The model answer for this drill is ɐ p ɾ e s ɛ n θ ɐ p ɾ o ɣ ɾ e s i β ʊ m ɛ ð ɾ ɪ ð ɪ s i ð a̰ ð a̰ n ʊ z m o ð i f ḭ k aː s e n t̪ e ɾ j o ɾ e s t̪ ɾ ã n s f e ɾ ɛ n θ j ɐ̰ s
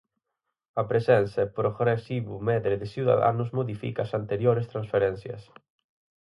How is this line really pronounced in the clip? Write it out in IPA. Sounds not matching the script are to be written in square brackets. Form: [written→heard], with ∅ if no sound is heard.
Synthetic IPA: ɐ p ɾ e s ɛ n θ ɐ p ɾ o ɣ ɾ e s i β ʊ m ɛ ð ɾ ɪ ð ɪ s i ð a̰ ð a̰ n ʊ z m o ð i f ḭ k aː s [e→a] n t̪ e ɾ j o ɾ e s t̪ ɾ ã n s f e ɾ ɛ n θ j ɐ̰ s